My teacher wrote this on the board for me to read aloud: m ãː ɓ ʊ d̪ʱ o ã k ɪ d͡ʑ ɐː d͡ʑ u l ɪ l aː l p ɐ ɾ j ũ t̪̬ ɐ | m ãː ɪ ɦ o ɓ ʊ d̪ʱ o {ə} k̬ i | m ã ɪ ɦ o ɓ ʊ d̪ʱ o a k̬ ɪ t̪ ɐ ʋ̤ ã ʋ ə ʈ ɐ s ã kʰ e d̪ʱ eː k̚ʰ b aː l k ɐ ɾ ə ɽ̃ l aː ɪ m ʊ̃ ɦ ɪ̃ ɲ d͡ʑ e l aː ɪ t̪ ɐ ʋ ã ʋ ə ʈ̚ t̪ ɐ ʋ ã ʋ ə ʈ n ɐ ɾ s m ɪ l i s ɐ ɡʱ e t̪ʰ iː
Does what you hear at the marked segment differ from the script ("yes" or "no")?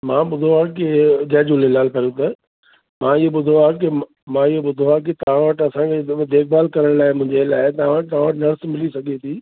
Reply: yes